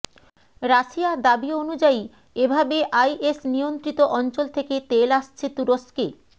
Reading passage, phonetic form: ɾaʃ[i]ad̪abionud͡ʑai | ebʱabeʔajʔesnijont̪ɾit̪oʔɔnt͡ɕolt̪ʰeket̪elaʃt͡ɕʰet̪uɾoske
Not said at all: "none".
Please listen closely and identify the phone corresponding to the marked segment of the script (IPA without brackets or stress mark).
i